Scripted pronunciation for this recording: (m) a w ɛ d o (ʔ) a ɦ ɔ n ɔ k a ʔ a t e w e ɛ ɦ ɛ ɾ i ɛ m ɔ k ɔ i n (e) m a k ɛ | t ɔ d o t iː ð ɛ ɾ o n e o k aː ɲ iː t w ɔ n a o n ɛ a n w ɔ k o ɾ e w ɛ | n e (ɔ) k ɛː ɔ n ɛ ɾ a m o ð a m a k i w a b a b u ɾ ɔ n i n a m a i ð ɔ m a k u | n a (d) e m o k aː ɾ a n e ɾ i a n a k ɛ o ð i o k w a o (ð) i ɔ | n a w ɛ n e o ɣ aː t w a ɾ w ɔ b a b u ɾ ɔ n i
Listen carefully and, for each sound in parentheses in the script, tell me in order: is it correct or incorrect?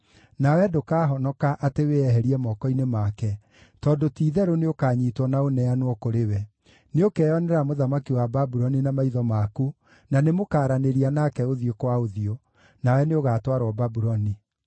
incorrect, incorrect, correct, incorrect, incorrect, correct

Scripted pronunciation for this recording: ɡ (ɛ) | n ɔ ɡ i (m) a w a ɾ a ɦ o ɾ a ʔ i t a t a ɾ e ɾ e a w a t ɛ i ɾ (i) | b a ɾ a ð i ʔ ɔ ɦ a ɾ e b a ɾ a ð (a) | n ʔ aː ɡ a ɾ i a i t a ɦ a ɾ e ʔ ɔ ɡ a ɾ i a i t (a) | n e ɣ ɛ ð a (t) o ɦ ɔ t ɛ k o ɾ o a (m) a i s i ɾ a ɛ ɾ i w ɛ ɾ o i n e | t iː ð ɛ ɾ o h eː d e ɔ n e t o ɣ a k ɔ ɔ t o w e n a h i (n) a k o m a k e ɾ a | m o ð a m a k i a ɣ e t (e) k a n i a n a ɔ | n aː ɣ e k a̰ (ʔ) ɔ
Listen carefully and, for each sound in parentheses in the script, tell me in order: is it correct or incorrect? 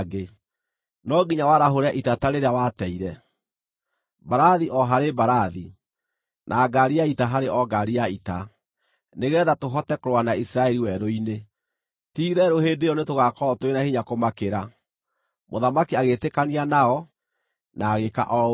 incorrect, incorrect, incorrect, incorrect, correct, correct, incorrect, incorrect, correct, correct

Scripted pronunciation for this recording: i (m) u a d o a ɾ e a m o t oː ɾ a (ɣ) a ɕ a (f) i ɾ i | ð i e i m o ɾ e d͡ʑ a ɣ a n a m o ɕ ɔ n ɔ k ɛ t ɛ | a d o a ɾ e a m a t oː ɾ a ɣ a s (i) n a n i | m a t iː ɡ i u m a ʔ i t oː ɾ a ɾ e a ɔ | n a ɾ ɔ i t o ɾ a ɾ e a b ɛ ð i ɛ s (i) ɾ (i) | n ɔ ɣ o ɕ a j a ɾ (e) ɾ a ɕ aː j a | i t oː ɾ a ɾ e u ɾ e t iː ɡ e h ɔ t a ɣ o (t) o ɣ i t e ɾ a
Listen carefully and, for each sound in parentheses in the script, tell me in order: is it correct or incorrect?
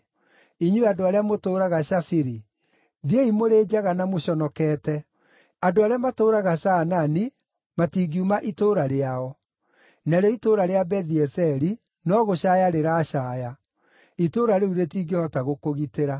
incorrect, correct, correct, incorrect, incorrect, correct, correct, incorrect

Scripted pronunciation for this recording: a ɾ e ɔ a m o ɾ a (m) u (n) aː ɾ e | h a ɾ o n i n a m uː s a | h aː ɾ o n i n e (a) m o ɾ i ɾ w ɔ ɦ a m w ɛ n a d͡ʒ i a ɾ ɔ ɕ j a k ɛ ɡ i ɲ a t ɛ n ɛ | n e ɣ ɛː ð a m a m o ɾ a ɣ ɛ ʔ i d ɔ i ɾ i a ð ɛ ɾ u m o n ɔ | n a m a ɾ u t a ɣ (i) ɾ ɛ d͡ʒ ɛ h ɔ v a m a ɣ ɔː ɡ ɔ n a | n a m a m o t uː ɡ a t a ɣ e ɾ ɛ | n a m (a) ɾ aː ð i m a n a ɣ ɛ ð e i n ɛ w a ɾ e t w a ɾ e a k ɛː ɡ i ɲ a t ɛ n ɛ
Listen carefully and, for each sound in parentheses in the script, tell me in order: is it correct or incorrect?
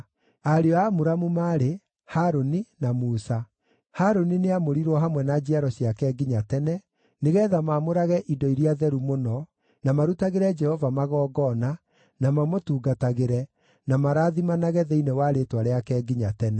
correct, incorrect, correct, incorrect, correct

